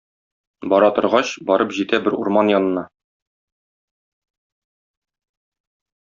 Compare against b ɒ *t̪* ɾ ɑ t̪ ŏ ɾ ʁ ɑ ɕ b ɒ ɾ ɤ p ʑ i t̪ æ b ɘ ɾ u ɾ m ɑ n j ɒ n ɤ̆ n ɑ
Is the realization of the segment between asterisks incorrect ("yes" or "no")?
yes